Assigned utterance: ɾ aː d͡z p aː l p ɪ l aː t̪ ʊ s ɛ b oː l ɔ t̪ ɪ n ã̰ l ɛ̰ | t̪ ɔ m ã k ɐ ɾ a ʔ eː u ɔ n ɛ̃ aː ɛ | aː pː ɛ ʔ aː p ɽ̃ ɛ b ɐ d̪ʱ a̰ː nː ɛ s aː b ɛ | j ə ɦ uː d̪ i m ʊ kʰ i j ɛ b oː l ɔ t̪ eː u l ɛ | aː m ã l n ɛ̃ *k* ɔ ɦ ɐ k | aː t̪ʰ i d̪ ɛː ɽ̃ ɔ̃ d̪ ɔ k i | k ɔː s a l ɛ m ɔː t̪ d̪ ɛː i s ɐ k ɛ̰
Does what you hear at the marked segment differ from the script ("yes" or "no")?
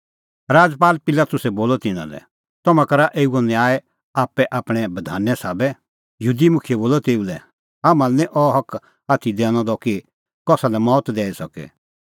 yes